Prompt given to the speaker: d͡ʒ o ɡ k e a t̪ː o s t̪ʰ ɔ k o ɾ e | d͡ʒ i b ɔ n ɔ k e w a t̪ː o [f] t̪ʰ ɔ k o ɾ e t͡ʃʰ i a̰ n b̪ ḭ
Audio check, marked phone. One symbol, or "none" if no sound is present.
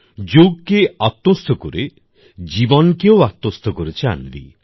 s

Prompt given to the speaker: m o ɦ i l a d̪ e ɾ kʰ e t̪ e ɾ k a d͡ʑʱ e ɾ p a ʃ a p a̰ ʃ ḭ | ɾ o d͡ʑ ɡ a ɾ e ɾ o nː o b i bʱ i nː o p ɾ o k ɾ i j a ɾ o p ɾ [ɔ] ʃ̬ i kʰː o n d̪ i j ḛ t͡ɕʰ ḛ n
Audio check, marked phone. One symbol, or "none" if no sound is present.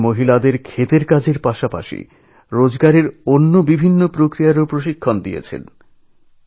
o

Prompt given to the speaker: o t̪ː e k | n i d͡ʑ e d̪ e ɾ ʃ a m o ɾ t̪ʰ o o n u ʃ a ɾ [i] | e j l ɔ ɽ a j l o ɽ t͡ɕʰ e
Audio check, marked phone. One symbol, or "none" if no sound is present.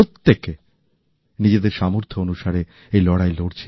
e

